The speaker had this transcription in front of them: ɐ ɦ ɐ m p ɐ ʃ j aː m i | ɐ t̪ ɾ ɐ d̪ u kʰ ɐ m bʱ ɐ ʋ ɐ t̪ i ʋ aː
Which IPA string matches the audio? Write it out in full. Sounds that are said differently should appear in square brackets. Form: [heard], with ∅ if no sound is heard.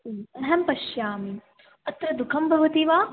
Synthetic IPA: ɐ ɦ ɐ m p ɐ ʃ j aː m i | ɐ t̪ ɾ ɐ d̪ u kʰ ɐ m bʱ ɐ ʋ ɐ t̪ i ʋ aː